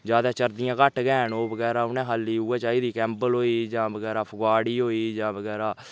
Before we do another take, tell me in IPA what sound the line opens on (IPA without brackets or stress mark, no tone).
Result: d͡ʒ